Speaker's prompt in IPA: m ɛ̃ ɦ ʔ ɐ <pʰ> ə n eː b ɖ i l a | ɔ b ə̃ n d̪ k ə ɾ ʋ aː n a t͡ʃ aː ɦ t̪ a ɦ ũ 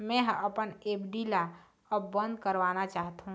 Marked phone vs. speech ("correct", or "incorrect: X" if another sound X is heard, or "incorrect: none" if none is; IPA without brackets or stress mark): incorrect: p